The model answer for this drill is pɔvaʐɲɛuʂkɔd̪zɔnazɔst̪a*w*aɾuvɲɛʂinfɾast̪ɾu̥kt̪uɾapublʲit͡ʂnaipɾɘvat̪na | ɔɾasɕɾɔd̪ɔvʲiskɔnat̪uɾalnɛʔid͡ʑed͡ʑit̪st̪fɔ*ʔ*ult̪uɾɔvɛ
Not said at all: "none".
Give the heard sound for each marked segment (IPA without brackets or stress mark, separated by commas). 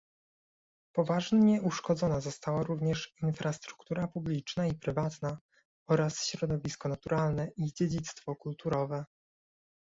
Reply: w, k